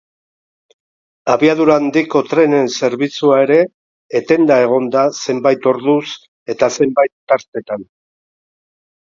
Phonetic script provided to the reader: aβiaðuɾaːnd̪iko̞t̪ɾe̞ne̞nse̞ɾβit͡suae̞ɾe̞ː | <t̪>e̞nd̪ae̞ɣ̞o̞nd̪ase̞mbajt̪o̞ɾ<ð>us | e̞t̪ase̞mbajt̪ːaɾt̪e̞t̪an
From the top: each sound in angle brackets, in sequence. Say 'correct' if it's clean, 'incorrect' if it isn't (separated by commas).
correct, correct